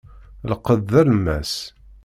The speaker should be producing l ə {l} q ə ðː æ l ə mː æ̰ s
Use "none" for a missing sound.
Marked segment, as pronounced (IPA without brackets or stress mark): none